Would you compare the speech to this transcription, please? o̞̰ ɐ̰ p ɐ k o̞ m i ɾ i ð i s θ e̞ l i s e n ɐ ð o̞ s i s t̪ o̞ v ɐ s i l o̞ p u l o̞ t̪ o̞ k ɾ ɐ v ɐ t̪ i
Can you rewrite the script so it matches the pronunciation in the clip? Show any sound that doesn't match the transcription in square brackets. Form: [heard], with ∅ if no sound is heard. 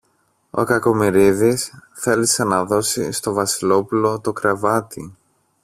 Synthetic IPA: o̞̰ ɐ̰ [k] ɐ k o̞ m i ɾ i ð i s θ e̞ l i s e n ɐ ð o̞ s i s t̪ o̞ v ɐ s i l o̞ p u l o̞ t̪ o̞ k ɾ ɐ v ɐ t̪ i